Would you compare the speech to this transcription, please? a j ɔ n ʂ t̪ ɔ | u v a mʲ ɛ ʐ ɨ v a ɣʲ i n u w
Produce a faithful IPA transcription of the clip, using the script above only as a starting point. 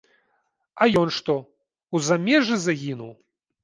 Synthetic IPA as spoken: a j ɔ n ʂ t̪ ɔ | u z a mʲ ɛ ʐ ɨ z a ɣʲ i n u w